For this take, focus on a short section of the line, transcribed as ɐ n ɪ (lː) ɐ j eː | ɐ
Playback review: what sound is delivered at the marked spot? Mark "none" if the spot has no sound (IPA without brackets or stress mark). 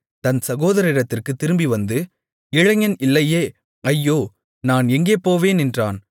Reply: lː